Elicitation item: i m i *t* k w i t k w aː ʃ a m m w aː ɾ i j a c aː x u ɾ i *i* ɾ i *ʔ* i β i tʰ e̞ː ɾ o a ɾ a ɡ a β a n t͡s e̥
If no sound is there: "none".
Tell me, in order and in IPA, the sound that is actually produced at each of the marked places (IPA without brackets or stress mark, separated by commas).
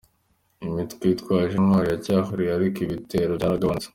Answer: t, a, k